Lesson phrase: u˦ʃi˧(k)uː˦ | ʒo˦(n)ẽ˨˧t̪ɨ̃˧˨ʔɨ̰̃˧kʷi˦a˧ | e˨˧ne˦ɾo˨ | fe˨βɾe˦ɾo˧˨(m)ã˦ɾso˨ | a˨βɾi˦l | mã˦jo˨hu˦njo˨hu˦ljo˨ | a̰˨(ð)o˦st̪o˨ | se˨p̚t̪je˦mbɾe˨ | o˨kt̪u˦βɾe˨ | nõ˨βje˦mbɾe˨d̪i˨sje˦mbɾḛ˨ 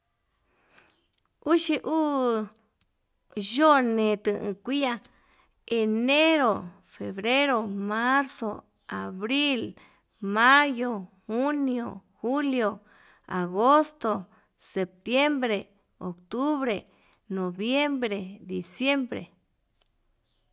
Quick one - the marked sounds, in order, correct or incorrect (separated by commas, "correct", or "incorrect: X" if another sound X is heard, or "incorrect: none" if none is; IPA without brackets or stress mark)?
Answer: incorrect: ʔ, correct, correct, incorrect: ɣ